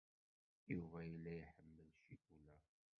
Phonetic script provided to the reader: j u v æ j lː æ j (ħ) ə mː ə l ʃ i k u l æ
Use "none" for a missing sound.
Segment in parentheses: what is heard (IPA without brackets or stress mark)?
ħ